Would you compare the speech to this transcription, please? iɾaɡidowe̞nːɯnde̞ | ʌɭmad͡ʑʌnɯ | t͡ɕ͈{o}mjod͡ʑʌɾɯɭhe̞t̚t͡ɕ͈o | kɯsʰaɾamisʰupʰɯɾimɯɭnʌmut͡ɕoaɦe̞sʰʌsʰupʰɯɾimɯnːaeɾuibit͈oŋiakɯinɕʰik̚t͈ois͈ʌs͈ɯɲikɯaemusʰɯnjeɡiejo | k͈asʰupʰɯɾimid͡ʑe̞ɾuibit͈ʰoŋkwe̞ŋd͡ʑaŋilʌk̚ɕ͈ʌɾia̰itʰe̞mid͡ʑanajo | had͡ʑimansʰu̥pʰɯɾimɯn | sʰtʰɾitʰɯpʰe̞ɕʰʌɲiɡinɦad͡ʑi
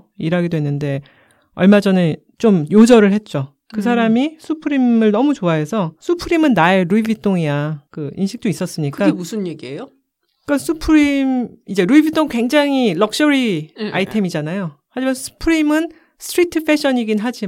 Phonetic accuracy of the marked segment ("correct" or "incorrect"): correct